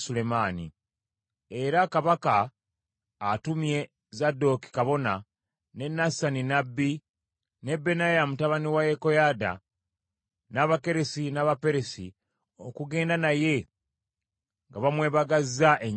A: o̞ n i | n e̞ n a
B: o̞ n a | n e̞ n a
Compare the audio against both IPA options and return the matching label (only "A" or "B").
B